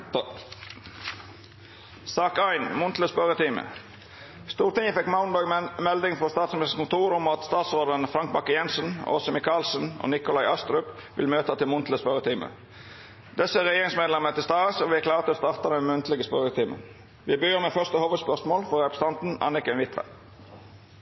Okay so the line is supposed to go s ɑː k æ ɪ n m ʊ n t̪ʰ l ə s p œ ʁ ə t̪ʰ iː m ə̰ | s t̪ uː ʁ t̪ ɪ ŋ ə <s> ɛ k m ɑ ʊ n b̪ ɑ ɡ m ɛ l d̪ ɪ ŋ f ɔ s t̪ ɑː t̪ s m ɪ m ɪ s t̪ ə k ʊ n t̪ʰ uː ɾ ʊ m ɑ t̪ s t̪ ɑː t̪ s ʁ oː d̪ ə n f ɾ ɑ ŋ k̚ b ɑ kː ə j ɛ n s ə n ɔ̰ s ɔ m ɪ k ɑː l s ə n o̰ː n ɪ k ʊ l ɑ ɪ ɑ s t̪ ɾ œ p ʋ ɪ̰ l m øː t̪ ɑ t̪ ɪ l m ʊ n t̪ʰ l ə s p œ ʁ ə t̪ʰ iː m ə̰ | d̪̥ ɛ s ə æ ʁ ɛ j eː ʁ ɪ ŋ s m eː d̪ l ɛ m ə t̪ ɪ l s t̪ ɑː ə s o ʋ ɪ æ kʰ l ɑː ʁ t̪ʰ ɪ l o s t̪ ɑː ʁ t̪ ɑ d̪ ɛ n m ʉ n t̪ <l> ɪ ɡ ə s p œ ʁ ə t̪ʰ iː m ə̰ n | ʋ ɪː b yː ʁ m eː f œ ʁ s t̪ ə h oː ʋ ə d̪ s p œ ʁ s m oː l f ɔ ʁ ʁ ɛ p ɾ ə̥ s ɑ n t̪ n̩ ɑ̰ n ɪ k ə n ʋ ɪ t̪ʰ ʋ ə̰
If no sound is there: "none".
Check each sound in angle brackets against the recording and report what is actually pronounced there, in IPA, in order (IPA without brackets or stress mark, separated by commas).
f, l